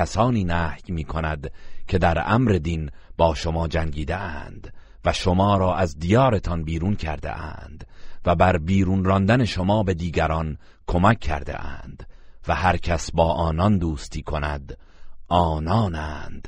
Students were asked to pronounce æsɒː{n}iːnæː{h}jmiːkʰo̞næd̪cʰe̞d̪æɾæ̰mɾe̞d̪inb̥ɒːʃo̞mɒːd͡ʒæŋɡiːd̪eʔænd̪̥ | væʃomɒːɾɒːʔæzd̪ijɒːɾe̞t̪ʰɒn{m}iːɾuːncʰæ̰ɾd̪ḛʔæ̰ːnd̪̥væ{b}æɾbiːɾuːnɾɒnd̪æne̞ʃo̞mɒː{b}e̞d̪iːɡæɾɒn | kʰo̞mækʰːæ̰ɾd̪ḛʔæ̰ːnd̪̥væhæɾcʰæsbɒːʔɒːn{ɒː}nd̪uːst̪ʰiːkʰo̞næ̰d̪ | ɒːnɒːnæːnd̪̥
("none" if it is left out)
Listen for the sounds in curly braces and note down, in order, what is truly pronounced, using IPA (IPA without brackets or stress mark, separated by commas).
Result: n, h, b, b, b, ɒ